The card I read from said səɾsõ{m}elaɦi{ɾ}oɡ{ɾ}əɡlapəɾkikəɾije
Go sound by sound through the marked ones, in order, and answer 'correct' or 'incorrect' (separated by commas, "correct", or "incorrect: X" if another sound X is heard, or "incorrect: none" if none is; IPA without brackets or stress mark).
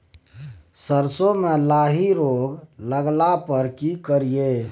correct, correct, incorrect: l